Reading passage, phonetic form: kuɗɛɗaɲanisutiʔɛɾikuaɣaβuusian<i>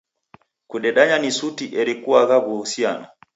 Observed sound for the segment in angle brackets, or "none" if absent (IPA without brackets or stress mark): a